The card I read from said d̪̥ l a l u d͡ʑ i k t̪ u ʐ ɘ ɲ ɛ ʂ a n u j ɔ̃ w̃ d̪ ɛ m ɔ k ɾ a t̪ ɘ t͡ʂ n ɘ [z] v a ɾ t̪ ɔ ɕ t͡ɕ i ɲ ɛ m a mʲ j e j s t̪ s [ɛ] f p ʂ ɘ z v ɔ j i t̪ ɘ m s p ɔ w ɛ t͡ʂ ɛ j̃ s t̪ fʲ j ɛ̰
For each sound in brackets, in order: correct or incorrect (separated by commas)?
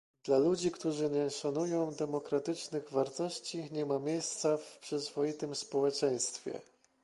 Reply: incorrect, incorrect